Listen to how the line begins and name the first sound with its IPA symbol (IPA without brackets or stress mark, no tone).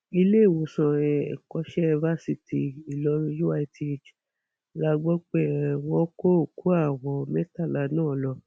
i